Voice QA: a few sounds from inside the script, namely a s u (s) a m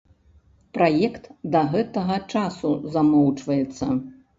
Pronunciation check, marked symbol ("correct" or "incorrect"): incorrect